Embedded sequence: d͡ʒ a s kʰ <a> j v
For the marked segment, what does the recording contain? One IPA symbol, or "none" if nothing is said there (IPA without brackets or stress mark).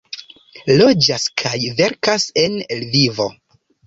a